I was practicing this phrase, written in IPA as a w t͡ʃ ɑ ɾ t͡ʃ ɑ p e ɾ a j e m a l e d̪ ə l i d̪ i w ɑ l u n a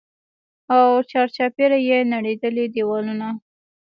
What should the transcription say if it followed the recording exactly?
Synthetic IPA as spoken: a w t͡ʃ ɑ ɾ t͡ʃ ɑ p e ɾ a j e n a ɽ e d̪ ə l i d̪ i w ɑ l u n a